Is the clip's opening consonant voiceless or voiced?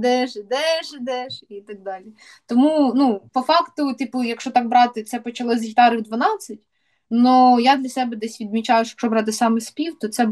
voiced